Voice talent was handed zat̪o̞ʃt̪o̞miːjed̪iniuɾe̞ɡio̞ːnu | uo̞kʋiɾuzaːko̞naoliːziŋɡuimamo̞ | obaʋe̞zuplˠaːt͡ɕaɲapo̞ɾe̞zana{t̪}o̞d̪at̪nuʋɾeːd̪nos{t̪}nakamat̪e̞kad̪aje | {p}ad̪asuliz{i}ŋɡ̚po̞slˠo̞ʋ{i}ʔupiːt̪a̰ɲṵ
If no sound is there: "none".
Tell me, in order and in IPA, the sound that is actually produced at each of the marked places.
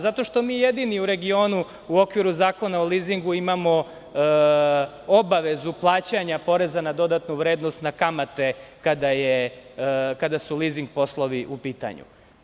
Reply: d̪, t̪, k, i, i

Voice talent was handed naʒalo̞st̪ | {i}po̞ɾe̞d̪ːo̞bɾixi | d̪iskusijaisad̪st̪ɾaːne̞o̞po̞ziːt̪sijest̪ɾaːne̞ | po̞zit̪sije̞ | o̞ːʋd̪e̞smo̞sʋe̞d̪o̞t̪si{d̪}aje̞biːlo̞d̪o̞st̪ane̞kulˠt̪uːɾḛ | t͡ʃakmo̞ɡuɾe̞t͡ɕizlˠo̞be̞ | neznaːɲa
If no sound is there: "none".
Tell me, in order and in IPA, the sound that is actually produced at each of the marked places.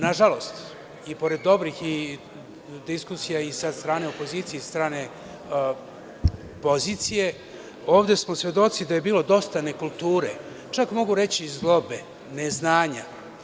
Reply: i, d̪

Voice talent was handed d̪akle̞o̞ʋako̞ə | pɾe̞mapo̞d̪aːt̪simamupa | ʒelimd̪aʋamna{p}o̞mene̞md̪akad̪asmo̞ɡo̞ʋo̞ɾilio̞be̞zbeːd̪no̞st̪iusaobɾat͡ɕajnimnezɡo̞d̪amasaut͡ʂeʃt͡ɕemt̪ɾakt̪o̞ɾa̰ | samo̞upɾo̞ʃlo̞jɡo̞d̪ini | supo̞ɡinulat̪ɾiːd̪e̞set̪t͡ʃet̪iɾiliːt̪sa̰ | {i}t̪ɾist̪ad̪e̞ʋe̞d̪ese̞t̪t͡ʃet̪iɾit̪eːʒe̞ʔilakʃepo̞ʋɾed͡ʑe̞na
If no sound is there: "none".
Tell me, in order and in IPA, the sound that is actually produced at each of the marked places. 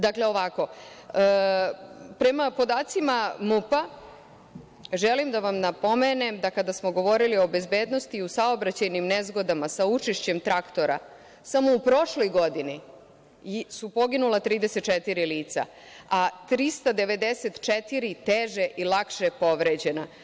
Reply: p, a

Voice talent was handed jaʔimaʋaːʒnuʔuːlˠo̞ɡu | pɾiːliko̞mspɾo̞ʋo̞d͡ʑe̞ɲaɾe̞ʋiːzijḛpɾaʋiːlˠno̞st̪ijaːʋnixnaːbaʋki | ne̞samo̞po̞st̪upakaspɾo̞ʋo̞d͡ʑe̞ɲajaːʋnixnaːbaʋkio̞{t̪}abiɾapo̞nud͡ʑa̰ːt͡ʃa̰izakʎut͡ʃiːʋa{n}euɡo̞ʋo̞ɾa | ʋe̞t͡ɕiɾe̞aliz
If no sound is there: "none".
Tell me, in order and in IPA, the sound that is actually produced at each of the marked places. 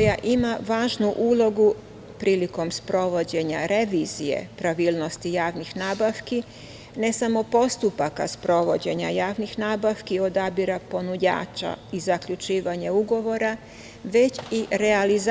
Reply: d̪, ɲ

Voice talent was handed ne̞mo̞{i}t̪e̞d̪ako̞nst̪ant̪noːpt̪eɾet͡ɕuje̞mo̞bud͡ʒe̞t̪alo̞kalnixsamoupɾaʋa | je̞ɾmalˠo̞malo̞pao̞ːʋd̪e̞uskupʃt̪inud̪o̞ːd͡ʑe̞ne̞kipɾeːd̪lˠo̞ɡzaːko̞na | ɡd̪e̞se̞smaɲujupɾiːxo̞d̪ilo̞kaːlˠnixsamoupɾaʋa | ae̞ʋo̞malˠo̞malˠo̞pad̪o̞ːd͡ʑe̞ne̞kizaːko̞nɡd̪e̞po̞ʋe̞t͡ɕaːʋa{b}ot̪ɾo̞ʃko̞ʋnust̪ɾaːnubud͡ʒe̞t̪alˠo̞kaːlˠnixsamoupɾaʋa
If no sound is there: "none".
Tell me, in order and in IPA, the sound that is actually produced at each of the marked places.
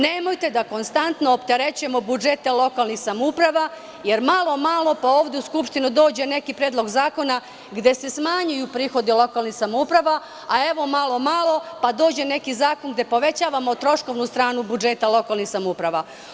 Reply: j, m

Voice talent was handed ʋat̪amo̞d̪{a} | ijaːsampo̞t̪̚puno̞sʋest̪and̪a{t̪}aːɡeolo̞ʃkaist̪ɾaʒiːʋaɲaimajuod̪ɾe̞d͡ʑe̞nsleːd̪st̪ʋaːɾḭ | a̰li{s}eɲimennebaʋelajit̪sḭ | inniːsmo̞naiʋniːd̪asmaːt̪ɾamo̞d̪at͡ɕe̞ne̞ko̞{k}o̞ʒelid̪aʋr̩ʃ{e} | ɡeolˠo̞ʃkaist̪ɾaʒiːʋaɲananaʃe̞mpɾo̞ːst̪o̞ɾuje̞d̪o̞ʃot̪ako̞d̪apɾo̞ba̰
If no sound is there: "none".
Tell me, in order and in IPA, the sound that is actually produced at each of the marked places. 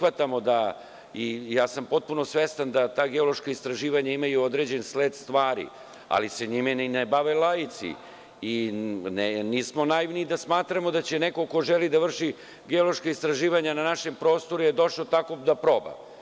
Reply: a, t̪, s, k, i

